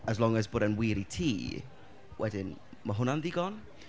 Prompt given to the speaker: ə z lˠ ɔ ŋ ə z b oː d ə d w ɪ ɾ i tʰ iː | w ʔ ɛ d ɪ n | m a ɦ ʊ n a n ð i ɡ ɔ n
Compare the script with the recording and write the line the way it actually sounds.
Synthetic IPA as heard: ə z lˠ ɔ ŋ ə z b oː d ə n w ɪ ɾ i tʰ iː | w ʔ ɛ d ɪ n | m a ɦ ʊ n a n ð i ɡ ɔ n